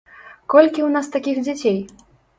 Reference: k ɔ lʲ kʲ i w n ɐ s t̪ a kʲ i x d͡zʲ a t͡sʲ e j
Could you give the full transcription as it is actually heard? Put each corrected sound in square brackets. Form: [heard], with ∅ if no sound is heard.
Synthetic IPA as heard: k ɔ lʲ kʲ i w n [a] s t̪ a kʲ i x d͡zʲ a t͡sʲ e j

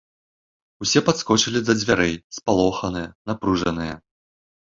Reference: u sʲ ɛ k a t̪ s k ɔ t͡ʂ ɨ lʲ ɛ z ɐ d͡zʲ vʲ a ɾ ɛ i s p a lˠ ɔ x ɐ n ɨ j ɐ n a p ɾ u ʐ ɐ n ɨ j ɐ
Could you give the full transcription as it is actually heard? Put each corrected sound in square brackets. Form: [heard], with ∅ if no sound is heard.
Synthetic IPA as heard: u sʲ ɛ [p] a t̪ s k ɔ t͡ʂ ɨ lʲ [i] z ɐ d͡zʲ vʲ a ɾ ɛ [j] s p a lˠ ɔ x ɐ n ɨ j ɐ n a p ɾ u ʐ ɐ n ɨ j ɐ

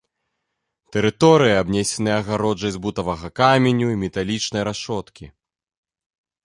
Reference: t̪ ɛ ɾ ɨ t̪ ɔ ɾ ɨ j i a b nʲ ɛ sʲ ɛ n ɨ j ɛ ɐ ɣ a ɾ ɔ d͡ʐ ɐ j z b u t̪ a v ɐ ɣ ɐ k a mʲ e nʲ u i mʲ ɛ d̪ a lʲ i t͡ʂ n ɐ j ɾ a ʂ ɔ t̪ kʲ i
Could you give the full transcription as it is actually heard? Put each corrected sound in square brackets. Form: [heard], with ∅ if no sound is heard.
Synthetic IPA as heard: t̪ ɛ ɾ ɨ t̪ ɔ ɾ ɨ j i a b nʲ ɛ sʲ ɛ n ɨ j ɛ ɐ ɣ a ɾ ɔ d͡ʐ ɐ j z b u t̪ [ɐ] v ɐ ɣ ɐ k a mʲ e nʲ u i mʲ ɛ [t̪] a lʲ i t͡ʂ n ɐ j ɾ a ʂ ɔ t̪ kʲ i

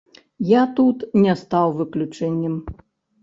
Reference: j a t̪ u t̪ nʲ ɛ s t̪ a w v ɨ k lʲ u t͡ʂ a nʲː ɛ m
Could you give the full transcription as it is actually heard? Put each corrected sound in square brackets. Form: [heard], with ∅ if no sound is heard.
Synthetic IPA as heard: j a t̪ u t̪ nʲ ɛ s t̪ a w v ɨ k lʲ u t͡ʂ [ɛ] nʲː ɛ m

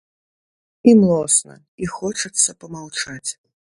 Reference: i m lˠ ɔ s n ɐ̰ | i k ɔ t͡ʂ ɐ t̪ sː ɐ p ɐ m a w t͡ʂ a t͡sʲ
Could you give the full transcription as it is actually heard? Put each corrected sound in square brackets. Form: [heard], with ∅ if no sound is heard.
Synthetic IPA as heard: i m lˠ ɔ s n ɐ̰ | i [x] ɔ t͡ʂ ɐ t̪ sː ɐ p ɐ m a w t͡ʂ a t͡sʲ

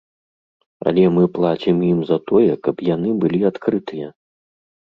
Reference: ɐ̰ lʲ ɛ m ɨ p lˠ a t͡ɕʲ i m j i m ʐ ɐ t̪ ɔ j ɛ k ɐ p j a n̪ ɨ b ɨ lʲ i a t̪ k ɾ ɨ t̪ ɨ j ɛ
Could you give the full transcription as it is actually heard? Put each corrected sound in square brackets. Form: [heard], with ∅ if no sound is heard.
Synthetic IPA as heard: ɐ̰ lʲ ɛ m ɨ p lˠ a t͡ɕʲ i m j i m [z] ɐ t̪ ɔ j ɛ k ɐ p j a n̪ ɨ b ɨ lʲ i a t̪ k ɾ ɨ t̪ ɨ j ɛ

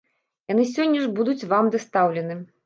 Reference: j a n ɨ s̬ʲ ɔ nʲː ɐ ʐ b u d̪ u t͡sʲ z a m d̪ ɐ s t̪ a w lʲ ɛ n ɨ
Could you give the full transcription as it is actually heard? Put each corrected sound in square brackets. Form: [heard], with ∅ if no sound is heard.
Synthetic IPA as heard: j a n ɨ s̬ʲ ɔ nʲː ɐ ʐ b u d̪ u t͡sʲ [v] a m d̪ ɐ s t̪ a w lʲ ɛ n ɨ

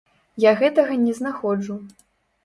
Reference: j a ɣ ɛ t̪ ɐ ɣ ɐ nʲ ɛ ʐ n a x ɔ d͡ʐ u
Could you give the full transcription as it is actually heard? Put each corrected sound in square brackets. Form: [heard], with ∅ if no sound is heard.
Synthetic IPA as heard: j a ɣ ɛ t̪ ɐ ɣ ɐ nʲ ɛ [z] n a x ɔ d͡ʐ u

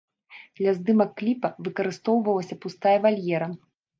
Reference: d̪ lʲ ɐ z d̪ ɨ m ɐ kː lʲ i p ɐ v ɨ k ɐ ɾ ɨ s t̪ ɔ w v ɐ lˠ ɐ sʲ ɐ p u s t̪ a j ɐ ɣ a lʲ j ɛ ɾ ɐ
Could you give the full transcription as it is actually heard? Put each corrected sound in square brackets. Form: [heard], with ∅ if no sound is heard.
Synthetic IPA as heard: d̪ lʲ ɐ z d̪ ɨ m ɐ kː lʲ i p ɐ v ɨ k ɐ ɾ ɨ s t̪ ɔ w v ɐ lˠ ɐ sʲ ɐ p u s t̪ a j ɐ [v] a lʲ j ɛ ɾ ɐ

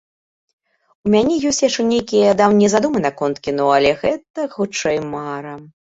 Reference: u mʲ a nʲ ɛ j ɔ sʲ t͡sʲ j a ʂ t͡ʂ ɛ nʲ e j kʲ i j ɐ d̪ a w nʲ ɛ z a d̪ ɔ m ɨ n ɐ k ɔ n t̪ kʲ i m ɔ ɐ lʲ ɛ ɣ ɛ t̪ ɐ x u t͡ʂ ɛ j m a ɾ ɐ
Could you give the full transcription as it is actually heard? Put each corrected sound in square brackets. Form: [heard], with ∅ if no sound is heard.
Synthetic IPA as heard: u mʲ a nʲ ɛ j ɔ sʲ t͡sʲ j a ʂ t͡ʂ ɛ nʲ e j kʲ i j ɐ d̪ a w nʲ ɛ z a d̪ [u] m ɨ n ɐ k ɔ n t̪ kʲ i [n] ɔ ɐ lʲ ɛ ɣ ɛ t̪ ɐ x u t͡ʂ ɛ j m a ɾ ɐ

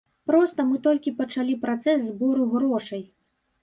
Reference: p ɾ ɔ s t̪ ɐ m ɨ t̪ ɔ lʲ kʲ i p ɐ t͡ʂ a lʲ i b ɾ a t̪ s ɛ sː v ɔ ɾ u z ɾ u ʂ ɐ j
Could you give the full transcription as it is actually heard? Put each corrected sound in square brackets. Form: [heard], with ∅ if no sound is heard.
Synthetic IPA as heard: p ɾ ɔ s t̪ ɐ m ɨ t̪ ɔ lʲ kʲ i p ɐ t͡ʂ a lʲ i [p] ɾ a t̪ s ɛ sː [b] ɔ ɾ u [ɣ] ɾ [ɔ] ʂ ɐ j

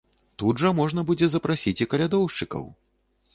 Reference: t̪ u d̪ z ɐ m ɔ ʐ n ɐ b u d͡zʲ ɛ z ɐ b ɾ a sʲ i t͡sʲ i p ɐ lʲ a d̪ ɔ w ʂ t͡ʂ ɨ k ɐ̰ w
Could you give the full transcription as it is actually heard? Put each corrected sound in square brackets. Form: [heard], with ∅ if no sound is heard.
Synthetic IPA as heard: t̪ u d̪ [ʐ] ɐ m ɔ ʐ n ɐ b u d͡zʲ ɛ z ɐ [p] ɾ a sʲ i t͡sʲ i [k] ɐ lʲ a d̪ ɔ w ʂ t͡ʂ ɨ k ɐ̰ w

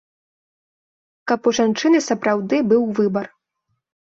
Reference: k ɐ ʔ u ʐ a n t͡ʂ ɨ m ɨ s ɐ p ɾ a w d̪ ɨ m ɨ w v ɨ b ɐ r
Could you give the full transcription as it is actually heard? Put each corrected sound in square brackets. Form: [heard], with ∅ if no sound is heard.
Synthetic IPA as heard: k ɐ [p] u ʐ a n t͡ʂ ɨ [n] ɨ s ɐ p ɾ a w d̪ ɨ [b] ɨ w v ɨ b ɐ r

